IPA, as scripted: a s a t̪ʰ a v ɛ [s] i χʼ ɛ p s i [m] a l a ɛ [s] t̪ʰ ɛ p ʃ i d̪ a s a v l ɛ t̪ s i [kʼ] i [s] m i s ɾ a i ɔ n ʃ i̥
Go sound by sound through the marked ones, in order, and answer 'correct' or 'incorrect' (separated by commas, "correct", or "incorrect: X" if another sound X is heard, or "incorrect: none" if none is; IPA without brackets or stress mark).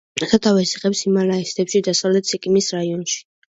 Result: correct, correct, correct, correct, incorrect: none